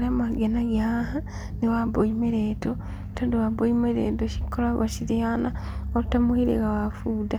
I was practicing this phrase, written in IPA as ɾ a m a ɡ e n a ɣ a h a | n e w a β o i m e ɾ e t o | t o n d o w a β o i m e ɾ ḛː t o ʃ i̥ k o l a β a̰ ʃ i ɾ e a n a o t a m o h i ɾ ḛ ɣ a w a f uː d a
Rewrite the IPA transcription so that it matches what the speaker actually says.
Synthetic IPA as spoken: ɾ a m a ɡ e n a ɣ a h a | n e w a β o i m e ɾ e t o | t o n d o w a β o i m e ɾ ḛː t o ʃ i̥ k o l a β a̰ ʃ i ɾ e a n a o t a m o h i ɾ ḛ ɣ a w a f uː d a